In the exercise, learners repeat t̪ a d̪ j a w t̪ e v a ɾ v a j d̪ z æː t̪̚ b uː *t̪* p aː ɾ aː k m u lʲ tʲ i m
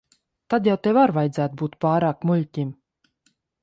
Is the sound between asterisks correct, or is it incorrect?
correct